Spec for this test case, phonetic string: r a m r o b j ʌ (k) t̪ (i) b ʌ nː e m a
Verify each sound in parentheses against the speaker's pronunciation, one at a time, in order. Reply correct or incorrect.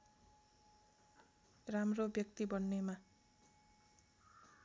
correct, correct

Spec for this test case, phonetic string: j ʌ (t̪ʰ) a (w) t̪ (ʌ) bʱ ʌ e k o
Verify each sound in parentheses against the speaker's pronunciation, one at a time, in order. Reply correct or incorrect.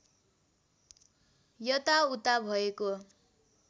incorrect: t̪, incorrect: u, incorrect: a

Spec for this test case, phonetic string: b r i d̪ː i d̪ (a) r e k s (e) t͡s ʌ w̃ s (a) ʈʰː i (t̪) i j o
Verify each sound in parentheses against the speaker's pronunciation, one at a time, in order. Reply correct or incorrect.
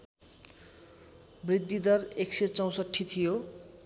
incorrect: ʌ, correct, incorrect: ʌ, incorrect: t̪ʰ

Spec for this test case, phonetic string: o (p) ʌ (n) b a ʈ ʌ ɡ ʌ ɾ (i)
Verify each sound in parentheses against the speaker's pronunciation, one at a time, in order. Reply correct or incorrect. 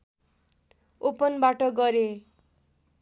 correct, correct, incorrect: e

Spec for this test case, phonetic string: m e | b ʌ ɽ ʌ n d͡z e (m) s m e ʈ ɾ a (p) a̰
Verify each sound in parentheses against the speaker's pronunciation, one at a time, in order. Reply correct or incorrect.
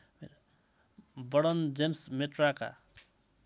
correct, incorrect: k

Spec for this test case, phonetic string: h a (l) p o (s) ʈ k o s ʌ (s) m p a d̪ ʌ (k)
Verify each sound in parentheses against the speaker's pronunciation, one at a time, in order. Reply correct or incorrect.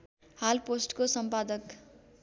correct, correct, incorrect: none, correct

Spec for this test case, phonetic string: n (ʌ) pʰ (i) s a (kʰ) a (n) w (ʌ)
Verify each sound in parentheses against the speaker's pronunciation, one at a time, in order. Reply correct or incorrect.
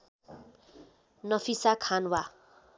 correct, correct, correct, correct, incorrect: a

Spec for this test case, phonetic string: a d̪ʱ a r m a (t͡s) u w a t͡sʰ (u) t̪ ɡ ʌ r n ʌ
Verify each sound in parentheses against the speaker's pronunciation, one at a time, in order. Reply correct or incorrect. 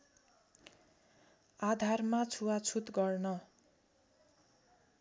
incorrect: t͡sʰ, correct

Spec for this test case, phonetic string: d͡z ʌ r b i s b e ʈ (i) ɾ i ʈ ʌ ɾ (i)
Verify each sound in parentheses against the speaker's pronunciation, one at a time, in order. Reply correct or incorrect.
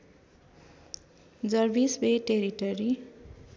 incorrect: e, correct

